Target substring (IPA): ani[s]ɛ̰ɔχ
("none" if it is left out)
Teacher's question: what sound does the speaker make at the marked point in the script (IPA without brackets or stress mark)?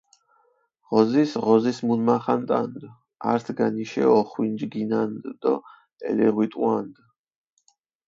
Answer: ʃ